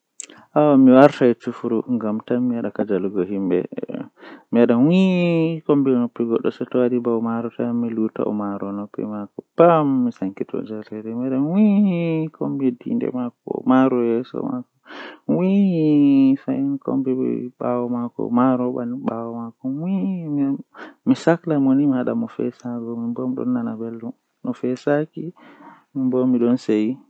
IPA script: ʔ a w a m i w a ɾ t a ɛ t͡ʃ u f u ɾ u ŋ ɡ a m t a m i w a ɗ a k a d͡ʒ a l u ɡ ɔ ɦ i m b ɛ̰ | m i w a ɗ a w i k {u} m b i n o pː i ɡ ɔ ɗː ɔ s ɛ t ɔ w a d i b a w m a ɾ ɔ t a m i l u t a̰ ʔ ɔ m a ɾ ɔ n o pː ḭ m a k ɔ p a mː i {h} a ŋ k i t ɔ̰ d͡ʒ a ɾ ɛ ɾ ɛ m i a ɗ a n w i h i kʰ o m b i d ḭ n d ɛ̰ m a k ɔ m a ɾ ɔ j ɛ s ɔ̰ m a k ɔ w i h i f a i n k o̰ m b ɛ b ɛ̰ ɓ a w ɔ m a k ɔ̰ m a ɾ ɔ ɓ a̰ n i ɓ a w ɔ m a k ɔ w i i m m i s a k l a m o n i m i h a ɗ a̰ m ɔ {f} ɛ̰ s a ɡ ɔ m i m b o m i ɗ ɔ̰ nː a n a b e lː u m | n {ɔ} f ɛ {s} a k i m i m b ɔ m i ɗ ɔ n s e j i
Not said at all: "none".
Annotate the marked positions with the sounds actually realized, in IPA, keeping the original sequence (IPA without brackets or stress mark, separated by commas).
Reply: o, s, f, ɔ, s